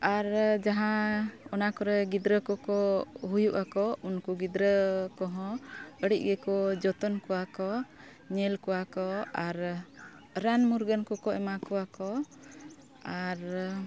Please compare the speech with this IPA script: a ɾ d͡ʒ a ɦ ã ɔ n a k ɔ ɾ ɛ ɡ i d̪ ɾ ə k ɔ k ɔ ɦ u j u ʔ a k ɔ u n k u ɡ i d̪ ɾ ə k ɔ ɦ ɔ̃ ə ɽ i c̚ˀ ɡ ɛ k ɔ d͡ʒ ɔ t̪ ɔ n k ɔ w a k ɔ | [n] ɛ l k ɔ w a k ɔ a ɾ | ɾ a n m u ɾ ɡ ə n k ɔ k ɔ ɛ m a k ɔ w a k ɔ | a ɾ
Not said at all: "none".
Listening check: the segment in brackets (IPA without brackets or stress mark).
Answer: ɲ